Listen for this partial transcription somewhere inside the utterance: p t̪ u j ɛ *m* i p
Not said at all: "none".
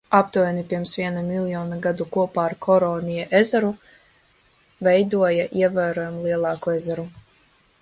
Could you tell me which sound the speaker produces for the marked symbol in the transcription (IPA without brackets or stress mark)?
n